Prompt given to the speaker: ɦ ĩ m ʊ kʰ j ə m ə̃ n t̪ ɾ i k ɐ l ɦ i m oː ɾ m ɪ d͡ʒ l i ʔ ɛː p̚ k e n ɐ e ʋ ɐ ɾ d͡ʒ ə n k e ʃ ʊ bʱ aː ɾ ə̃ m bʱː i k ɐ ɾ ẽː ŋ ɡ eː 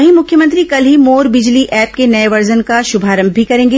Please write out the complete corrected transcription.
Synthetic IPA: ɦ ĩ m ʊ kʰ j ə m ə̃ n t̪ ɾ i k ɐ l ɦ i m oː ɾ b ɪ d͡ʒ l i ʔ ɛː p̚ k e n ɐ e ʋ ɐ ɾ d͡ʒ ə n k a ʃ ʊ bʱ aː ɾ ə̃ m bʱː i k ɐ ɾ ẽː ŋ ɡ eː